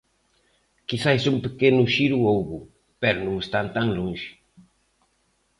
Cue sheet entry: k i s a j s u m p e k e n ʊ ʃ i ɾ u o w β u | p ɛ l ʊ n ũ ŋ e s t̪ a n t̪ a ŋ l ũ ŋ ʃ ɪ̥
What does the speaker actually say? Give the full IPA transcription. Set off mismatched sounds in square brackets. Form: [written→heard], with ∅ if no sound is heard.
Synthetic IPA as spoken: k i s a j s u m p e k e n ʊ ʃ i ɾ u o w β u | p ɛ [l→ɾ] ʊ n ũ ŋ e s t̪ a n t̪ a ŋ l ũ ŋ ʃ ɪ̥